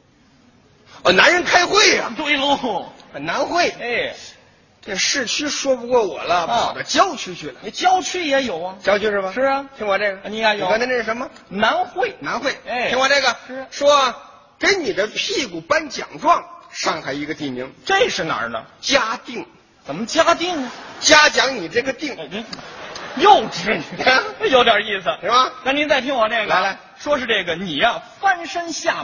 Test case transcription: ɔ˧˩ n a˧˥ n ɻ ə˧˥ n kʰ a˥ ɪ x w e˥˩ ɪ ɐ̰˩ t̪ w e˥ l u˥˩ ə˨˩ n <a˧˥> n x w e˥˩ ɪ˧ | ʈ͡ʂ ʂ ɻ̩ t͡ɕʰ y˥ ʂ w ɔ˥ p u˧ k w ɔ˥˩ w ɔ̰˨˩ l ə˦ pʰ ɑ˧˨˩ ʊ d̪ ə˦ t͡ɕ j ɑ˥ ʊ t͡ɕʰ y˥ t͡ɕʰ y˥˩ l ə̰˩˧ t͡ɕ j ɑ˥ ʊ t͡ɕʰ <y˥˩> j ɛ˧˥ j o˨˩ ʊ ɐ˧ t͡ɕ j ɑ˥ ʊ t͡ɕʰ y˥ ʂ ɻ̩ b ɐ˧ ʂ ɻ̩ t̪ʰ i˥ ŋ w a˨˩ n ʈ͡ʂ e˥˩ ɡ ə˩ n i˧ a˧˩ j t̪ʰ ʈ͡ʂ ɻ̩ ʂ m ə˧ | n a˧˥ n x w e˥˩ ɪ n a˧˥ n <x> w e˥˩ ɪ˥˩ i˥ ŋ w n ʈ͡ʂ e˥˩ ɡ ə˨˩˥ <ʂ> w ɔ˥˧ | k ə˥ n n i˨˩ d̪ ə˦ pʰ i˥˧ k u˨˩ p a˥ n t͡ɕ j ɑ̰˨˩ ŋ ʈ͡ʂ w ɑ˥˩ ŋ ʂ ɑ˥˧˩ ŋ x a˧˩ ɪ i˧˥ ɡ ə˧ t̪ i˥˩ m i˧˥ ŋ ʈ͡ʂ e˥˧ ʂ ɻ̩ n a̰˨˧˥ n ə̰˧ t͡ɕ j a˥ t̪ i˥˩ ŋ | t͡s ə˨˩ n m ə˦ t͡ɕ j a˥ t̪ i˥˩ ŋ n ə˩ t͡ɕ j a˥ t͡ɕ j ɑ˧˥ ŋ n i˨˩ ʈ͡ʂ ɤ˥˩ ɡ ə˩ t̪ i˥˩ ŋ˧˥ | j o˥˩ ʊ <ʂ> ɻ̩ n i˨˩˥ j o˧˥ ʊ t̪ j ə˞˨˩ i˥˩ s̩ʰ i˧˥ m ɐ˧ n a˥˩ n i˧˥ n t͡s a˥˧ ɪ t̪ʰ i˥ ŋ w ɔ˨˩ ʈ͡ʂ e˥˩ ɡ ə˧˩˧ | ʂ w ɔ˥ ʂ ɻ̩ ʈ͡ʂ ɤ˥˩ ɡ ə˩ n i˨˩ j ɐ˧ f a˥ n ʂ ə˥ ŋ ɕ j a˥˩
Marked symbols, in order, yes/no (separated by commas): yes, no, yes, yes, no